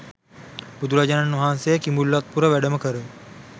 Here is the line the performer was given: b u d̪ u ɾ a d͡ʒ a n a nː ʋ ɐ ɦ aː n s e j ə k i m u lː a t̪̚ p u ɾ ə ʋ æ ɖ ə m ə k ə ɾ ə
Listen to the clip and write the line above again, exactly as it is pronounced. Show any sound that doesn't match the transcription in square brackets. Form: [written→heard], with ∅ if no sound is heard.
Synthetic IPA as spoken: b u d̪ u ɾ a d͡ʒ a n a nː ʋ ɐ ɦ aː n s e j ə k i m u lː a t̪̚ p u ɾ ə ʋ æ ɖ ə m ə k ə ɾ ə